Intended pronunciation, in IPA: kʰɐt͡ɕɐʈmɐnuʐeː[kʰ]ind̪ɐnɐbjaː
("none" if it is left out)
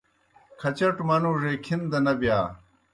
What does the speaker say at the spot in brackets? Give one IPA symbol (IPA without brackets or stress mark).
kʰ